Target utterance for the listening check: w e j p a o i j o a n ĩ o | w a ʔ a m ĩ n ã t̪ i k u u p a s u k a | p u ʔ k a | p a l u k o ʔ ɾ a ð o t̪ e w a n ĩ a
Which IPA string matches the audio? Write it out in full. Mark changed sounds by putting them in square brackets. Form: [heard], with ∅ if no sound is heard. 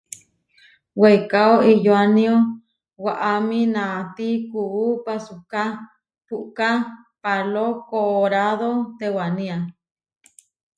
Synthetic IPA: w e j [k] a o i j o a n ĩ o | w a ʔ a m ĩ n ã t̪ i k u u p a s u k a | p u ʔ k a | p a l [o] k o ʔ ɾ a ð o t̪ e w a n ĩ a